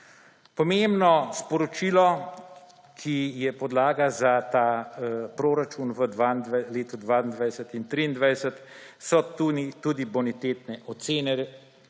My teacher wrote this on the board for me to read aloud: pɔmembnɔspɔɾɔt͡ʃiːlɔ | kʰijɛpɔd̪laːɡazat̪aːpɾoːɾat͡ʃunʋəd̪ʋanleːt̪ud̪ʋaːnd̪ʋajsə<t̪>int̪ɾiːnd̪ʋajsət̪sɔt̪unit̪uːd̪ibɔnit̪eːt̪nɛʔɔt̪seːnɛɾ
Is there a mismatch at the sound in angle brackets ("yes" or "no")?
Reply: no